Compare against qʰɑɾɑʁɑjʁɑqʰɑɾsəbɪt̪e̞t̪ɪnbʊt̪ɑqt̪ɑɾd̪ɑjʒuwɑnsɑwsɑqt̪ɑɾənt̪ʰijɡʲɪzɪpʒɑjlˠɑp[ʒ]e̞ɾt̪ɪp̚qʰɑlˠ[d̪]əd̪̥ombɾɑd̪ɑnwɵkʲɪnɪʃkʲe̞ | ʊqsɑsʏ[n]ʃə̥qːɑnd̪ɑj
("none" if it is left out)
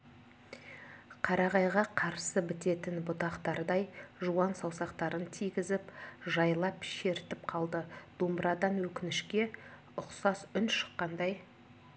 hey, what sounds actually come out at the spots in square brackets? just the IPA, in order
ʃ, d̪, n

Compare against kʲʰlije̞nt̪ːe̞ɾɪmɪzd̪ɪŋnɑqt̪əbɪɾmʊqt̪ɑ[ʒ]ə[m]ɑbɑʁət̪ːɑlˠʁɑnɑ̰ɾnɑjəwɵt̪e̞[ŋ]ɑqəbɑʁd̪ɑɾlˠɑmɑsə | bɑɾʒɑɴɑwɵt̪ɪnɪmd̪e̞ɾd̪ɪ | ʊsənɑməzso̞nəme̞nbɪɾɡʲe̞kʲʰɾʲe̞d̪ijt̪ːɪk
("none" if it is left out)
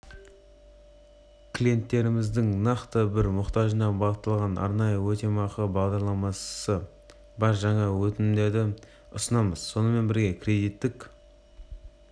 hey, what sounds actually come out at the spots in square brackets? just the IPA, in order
ʒ, n, m

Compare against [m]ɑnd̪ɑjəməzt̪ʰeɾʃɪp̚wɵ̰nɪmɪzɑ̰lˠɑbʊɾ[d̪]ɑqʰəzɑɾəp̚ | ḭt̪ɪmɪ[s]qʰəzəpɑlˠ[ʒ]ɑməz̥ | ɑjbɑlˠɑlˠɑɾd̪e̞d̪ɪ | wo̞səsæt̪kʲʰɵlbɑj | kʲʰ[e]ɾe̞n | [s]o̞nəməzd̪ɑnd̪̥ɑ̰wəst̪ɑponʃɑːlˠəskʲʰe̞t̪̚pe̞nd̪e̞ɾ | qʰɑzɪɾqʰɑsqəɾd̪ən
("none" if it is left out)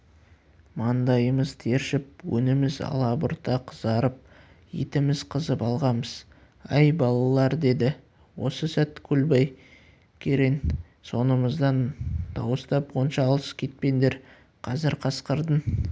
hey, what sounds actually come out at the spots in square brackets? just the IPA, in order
m, t̪, z, ʁ, e, s

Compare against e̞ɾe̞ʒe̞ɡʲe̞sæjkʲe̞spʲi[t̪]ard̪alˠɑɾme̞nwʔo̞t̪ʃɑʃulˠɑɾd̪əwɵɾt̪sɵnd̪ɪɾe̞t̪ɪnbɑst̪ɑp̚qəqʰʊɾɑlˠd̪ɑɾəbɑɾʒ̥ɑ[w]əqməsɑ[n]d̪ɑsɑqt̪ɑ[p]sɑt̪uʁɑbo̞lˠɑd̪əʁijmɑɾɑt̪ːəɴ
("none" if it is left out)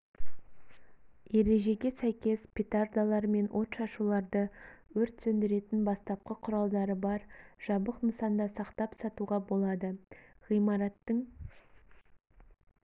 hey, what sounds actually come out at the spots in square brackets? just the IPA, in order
t̪, b, n, p

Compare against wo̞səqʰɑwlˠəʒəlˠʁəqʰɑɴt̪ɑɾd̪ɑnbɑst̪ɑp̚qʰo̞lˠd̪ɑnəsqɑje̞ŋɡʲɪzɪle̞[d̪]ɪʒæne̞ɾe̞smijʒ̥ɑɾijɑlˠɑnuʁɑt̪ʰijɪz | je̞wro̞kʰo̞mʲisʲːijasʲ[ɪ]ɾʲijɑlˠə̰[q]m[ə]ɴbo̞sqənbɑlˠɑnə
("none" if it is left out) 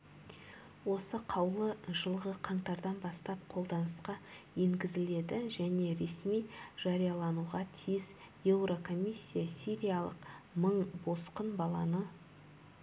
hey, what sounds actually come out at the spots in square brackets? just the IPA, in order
d̪, i, q, ə

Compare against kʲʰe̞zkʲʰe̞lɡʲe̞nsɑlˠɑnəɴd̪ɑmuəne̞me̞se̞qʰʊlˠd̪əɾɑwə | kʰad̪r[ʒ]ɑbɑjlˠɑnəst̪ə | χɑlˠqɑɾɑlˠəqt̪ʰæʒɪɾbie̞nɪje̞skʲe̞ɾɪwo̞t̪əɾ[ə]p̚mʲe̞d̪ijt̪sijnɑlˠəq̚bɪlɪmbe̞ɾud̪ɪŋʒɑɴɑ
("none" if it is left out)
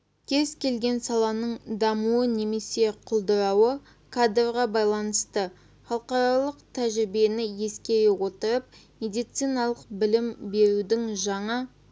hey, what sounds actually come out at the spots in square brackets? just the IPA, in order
ʁ, ə

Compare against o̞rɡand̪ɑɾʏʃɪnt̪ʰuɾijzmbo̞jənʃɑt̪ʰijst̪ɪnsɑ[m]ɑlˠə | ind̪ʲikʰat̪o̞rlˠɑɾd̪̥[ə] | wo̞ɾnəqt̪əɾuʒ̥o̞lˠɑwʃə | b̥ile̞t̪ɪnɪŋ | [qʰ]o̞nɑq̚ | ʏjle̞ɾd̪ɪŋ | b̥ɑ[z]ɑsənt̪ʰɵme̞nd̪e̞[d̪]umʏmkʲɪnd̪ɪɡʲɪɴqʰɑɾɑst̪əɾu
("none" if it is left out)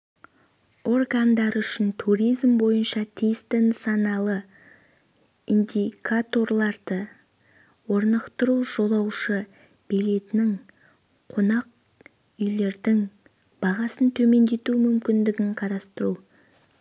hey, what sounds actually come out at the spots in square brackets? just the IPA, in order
n, ə, qʰ, ʁ, t̪

